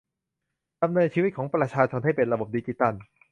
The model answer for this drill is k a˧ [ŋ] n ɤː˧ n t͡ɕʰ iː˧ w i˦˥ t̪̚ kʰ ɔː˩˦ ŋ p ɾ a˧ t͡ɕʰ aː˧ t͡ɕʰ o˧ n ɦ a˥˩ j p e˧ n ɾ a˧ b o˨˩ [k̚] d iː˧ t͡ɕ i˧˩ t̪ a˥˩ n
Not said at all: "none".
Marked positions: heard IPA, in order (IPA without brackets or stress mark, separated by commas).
m, p̚